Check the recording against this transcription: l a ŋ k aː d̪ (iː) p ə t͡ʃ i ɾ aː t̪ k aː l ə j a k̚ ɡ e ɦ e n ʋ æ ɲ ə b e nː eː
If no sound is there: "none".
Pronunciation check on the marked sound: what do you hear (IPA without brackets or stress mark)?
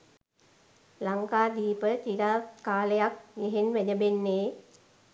iː